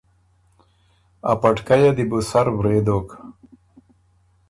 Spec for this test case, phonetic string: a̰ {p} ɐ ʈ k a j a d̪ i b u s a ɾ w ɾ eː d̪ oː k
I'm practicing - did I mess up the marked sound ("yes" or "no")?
no